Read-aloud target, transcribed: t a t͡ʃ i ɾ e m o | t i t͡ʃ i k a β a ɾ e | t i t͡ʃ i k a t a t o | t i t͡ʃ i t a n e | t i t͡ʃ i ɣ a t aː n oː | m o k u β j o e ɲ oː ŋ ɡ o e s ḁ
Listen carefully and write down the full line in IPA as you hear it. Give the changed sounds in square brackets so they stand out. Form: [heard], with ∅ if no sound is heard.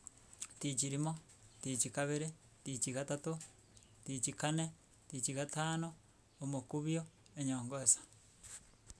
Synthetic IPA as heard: t [i] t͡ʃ i ɾ [i] m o | t i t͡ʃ i k a β [e] ɾ e | t i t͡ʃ i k a t a t o | t i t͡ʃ i [k] a n e | t i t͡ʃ i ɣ a t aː n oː | m o k u β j o e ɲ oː ŋ ɡ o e s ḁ